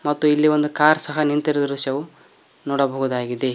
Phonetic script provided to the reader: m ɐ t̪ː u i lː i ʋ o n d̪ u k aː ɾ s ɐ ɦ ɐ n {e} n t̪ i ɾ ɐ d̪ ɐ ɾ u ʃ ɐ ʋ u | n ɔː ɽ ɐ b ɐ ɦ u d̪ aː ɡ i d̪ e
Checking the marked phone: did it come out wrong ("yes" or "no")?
yes